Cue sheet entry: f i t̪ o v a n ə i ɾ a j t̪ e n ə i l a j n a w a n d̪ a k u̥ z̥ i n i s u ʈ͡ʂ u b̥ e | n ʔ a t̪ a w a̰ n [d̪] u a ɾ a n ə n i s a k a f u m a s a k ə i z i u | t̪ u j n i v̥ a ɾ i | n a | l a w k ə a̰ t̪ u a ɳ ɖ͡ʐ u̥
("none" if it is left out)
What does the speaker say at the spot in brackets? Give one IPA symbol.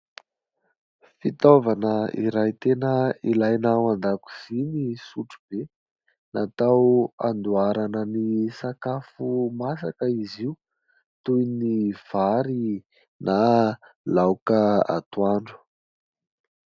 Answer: d̪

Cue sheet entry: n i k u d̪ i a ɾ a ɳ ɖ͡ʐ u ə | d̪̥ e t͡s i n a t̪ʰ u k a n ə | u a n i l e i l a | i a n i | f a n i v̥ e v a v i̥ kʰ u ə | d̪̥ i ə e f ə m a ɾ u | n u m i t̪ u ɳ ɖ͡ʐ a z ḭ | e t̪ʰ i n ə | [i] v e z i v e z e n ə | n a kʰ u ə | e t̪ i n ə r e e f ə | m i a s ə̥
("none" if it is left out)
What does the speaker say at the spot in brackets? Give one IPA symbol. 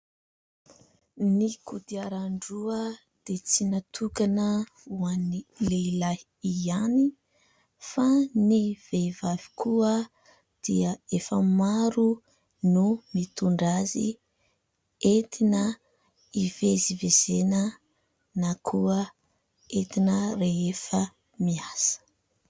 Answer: i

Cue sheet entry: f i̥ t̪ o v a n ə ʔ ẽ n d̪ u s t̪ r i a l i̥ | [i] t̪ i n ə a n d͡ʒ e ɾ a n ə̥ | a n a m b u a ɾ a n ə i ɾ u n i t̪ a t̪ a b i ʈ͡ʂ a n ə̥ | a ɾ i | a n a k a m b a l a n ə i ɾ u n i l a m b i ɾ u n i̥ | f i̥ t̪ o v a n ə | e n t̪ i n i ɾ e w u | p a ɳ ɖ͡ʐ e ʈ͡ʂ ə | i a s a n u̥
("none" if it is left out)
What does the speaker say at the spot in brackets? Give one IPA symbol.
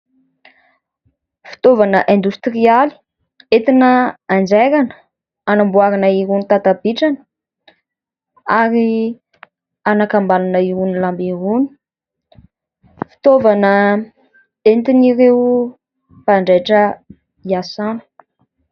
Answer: e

